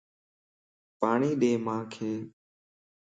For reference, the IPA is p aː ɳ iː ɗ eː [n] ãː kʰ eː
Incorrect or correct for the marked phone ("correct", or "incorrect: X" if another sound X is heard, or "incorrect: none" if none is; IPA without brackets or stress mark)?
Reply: incorrect: m